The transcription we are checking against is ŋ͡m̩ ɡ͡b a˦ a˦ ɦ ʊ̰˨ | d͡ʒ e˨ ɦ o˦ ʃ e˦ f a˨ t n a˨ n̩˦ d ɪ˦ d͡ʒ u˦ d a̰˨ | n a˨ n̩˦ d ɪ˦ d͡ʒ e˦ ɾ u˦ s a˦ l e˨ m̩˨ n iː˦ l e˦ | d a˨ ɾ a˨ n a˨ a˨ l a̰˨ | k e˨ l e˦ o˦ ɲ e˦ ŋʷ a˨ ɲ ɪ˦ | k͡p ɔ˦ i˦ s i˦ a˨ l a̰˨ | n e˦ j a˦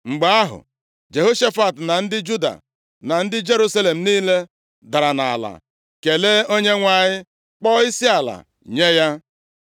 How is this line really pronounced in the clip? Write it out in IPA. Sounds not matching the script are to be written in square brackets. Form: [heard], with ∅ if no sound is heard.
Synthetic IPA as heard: ŋ͡m̩ ɡ͡b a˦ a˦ ɦ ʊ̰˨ | d͡ʒ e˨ ɦ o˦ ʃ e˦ f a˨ t n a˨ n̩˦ d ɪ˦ d͡ʒ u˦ d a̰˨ | n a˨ n̩˦ d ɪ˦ d͡ʒ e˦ ɾ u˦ s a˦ l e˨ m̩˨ n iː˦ l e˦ | d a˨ ɾ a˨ n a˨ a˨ l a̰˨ | k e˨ l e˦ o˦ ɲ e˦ ŋʷ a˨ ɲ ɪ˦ | k͡p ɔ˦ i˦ s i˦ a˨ l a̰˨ | [ɲ] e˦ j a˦